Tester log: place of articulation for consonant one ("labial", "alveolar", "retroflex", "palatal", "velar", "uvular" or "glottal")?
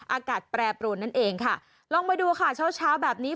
glottal